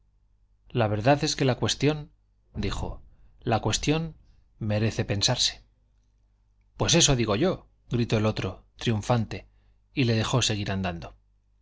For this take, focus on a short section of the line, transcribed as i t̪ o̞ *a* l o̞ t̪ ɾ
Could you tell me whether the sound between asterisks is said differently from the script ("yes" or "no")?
yes